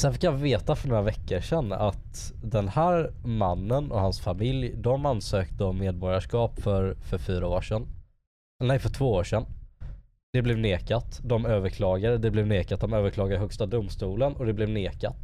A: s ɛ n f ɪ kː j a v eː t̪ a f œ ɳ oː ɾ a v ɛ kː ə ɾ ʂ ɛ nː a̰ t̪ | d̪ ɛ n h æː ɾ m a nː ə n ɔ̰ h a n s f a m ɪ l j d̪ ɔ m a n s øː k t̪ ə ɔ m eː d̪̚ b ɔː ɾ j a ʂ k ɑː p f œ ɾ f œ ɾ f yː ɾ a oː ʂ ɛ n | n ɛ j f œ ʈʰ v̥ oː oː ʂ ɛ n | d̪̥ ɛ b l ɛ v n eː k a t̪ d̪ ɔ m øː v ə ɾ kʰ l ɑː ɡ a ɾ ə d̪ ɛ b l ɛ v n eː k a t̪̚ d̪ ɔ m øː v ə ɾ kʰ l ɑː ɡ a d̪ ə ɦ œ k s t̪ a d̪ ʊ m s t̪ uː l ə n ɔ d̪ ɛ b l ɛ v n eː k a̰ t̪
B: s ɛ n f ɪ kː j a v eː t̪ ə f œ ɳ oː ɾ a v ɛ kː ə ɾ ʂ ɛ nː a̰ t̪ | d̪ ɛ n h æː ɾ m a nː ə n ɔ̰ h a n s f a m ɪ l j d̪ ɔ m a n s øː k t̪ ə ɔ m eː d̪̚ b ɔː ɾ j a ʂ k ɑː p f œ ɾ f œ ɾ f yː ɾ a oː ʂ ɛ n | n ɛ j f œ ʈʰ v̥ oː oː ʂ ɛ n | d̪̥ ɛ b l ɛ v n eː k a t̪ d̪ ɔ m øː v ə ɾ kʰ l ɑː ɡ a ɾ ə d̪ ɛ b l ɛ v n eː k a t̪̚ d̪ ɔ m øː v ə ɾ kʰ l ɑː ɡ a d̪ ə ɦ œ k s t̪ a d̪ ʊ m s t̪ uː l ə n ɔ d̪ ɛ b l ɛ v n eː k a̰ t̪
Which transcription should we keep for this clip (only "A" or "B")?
A